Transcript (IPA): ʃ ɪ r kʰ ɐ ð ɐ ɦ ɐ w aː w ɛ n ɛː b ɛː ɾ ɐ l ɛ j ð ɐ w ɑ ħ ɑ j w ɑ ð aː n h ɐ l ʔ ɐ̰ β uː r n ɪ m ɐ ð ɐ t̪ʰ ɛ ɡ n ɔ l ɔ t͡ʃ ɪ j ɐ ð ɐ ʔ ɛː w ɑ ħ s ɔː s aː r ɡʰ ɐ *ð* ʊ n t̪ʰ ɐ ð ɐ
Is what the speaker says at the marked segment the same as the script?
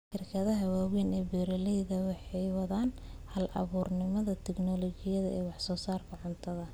no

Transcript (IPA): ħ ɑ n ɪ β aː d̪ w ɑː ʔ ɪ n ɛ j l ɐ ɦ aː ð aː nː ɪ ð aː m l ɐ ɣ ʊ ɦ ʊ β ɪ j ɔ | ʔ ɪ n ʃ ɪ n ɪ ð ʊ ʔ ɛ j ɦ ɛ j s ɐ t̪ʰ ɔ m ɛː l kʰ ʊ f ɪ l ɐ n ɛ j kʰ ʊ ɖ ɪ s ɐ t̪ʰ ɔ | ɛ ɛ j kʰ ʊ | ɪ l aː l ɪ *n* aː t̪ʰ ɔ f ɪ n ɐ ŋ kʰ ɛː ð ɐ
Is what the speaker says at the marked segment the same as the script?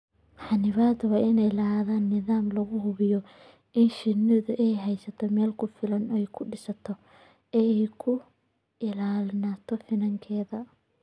yes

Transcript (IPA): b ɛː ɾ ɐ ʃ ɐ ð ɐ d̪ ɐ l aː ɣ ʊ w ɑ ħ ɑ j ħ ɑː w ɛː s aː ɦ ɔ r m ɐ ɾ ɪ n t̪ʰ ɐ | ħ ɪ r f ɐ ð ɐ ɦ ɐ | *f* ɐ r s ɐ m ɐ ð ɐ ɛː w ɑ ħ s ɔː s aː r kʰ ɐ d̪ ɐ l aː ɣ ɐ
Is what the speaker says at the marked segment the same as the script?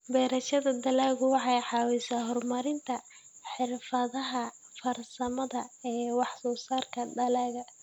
yes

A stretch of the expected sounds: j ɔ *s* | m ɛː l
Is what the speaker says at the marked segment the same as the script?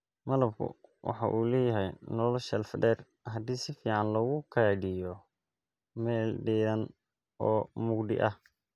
no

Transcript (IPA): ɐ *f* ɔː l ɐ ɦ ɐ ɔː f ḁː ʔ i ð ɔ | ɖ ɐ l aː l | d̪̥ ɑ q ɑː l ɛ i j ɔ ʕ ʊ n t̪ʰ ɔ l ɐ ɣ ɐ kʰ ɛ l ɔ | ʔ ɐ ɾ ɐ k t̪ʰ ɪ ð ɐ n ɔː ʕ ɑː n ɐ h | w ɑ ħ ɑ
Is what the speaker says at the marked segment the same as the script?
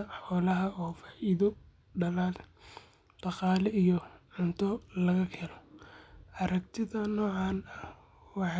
no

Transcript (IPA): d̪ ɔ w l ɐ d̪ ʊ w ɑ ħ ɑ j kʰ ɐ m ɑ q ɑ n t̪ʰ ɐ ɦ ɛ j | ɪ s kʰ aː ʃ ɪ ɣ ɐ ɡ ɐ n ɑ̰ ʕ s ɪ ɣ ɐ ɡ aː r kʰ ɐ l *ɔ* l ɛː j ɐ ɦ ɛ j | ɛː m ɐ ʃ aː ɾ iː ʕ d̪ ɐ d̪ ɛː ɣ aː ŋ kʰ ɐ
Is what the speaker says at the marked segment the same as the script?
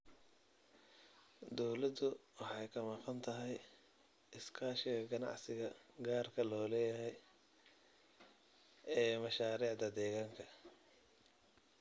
no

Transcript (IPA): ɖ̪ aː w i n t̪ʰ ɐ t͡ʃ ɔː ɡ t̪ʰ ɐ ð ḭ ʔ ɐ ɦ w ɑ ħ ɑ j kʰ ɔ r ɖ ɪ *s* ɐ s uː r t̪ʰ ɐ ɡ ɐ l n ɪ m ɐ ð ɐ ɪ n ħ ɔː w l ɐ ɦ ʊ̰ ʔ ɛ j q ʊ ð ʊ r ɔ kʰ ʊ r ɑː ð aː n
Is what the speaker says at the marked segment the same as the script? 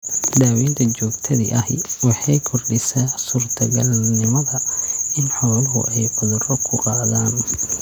yes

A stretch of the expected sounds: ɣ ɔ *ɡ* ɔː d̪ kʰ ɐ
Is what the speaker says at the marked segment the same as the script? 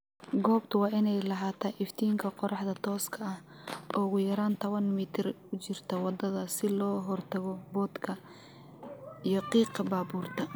no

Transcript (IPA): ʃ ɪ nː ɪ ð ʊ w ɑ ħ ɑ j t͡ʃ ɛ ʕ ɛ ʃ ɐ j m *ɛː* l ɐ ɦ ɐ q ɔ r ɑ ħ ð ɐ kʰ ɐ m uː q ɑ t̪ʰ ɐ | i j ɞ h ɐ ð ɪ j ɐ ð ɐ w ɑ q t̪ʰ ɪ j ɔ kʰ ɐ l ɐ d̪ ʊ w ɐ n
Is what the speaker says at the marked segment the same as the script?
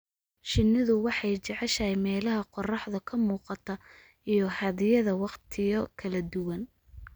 yes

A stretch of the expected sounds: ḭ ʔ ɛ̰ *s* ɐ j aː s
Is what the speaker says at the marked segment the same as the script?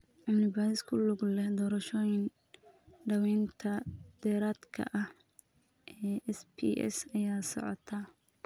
yes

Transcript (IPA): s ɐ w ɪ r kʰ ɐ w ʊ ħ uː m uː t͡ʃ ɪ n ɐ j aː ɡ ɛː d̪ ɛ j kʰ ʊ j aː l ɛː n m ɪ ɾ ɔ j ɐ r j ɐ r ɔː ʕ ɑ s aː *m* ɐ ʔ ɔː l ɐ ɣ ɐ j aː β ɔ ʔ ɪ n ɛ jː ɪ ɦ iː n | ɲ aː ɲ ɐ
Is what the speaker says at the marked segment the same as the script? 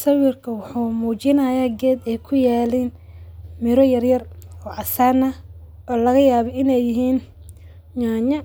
no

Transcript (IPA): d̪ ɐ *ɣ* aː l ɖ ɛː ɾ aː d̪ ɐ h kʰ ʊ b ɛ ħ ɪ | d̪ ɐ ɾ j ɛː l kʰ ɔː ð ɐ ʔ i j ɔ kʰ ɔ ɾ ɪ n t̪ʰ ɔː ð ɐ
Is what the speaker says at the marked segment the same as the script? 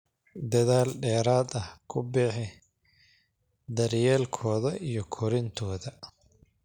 no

